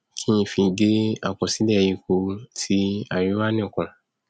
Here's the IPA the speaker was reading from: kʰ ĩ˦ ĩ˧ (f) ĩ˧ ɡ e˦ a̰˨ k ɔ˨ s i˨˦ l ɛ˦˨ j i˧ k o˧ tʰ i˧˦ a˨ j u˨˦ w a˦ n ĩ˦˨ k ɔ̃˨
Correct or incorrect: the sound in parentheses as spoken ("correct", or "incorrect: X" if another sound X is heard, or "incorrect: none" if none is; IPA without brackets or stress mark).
correct